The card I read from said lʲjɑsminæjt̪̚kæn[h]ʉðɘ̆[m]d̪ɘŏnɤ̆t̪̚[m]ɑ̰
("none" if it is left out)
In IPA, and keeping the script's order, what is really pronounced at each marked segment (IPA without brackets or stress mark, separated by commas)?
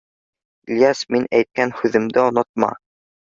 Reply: h, m, m